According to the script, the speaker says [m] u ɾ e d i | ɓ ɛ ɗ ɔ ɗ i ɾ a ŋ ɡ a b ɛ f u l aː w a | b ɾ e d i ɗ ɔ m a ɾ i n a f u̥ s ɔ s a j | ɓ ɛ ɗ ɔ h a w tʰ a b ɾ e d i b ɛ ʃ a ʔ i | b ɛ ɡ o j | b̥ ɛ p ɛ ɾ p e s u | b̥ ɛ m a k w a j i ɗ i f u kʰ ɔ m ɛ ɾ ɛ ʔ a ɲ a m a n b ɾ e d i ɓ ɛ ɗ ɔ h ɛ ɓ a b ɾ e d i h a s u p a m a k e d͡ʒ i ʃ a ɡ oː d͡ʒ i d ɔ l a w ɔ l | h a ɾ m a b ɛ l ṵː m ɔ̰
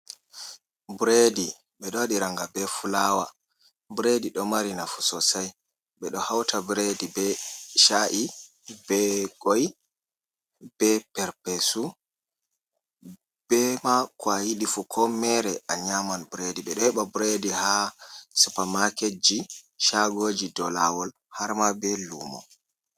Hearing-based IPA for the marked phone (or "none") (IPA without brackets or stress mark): b